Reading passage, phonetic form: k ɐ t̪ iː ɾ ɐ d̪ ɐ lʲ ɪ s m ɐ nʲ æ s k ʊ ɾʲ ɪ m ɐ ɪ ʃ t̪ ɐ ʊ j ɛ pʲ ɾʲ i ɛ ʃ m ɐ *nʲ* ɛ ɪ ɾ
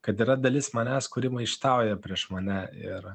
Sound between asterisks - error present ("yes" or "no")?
no